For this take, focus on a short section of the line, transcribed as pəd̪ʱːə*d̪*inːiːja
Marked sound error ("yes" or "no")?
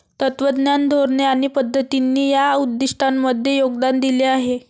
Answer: yes